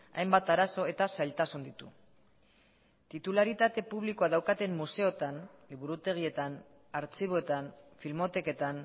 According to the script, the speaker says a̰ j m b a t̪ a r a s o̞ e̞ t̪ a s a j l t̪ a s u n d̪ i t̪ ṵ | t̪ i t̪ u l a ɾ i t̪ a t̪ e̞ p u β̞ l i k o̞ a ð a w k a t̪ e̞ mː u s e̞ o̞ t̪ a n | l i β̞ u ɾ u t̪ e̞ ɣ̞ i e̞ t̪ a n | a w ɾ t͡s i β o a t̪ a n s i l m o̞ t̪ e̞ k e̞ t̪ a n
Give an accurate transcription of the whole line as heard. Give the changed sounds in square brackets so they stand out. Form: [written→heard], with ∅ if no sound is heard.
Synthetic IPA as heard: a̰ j m b a t̪ a [r→ɾ] a s o̞ e̞ t̪ a s a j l t̪ a s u n d̪ i t̪ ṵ | t̪ i t̪ u l a ɾ i t̪ a t̪ e̞ p u β̞ l i k o̞ a ð a w k a t̪ e̞ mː u s e̞ o̞ t̪ a n | l i β̞ u ɾ u t̪ e̞ ɣ̞ i e̞ t̪ a n | a [w→∅] ɾ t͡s i β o [a→e] t̪ a n [s→f] i l m o̞ t̪ e̞ k e̞ t̪ a n